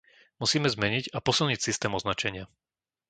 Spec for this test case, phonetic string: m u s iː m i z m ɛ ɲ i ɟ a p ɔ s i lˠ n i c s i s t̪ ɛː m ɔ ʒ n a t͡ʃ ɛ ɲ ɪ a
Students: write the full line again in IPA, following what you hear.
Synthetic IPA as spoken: m u s iː m ɛ z m ɛ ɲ i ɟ a p ɔ s i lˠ ɲ i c s i s t̪ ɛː m ɔ z n a t͡ʃ ɛ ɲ ɪ a